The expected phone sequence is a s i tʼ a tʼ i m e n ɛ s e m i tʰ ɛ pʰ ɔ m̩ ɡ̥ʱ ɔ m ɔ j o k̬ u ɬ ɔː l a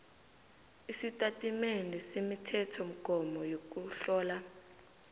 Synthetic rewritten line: i s i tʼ a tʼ i m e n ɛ s e m i tʰ ɛ tʰ ɔ m̩ ɡ̥ʱ ɔ m ɔ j o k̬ u ɬ ɔː l a